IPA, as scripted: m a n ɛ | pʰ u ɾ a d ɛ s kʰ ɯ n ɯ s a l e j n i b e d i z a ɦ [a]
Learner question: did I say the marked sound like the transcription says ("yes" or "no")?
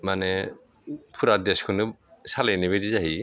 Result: no